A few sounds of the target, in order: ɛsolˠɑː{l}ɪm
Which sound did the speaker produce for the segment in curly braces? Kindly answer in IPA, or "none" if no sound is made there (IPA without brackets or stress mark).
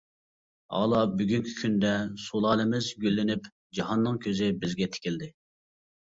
l